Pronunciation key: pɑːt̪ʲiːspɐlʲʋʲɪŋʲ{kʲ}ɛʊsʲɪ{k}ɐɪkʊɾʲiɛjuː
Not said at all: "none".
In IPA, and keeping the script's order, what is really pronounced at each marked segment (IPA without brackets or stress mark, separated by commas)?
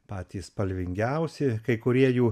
ɡʲ, k